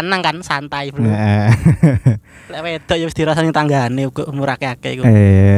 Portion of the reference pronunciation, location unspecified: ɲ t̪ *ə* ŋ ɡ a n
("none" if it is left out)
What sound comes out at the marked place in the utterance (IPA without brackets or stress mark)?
a